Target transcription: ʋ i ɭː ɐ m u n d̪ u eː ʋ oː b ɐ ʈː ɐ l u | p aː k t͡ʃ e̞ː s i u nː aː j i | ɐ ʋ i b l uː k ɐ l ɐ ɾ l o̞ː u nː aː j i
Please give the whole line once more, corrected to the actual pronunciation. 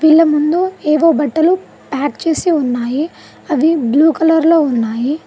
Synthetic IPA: ʋ i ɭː ɐ m u n d̪ u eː ʋ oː b ɐ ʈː ɐ l u | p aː k t͡ʃ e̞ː s i u nː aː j i | ɐ ʋ i b l uː k ɐ l ɐ ɾ l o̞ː u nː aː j i